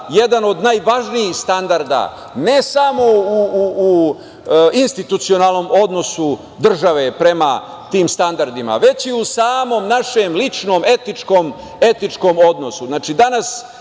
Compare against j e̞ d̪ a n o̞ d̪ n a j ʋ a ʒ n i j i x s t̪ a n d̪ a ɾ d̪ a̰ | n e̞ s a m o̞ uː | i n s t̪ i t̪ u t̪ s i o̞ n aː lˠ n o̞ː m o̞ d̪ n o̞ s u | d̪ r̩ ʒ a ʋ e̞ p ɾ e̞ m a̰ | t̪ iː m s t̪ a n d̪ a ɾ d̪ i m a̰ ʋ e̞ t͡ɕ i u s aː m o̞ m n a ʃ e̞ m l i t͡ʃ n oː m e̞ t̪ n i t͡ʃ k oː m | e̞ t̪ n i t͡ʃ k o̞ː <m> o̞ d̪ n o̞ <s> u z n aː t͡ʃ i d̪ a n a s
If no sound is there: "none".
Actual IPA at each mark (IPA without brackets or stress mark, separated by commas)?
m, s